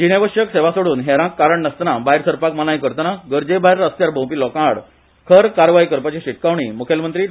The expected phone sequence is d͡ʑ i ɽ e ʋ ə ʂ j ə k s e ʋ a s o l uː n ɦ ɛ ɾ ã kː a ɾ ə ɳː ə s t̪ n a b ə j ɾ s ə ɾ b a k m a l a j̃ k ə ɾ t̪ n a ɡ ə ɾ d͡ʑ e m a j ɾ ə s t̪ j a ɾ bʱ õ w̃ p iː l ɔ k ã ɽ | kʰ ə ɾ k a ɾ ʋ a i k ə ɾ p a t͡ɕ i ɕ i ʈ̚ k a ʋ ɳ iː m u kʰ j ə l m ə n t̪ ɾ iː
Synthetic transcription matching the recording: d͡ʑ i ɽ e ʋ ə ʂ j ə k s e ʋ a s o ɽ uː n ɦ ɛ ɾ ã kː a ɾ ə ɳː ə s t̪ n a b a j ɾ s ə ɾ p a k m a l a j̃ k ə ɾ t̪ n a ɡ ə ɾ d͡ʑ e b a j ɾ ə s t̪ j a ɾ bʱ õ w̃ p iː l ɔ k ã ɽ | kʰ ə ɾ k a ɾ ʋ a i k ə ɾ p a t͡ɕ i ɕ i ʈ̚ k a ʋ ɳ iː m u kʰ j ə l m ə n t̪ ɾ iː

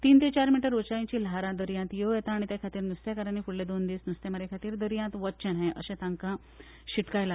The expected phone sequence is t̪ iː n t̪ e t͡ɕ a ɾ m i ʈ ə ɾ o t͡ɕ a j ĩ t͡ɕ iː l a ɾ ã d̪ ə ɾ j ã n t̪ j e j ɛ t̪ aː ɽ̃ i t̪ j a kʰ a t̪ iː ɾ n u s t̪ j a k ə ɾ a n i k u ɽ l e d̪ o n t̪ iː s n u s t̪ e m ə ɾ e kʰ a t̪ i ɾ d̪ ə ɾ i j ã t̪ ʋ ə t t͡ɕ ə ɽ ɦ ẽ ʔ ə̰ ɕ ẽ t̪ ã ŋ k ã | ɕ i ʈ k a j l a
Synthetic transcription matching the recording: t̪ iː n t̪ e t͡ɕ a ɾ m i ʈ ə ɾ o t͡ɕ a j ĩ t͡ɕ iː l a ɾ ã d̪ ə ɾ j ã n t̪ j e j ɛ t̪ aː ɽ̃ i t̪ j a kʰ a t̪ iː ɾ n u s t̪ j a k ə ɾ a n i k u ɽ l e d̪ o n d̪ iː s n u s t̪ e m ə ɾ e kʰ a t̪ iː ɾ d̪ ə ɾ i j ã t̪ ʋ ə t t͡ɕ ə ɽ ɦ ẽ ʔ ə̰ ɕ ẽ t̪ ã ŋ k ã | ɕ i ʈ k a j l a

